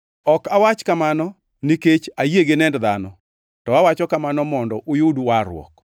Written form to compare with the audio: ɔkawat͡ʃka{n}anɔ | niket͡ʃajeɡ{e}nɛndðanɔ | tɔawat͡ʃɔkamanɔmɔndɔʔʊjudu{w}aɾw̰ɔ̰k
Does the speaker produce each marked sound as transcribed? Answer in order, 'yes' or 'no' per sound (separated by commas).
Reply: no, yes, yes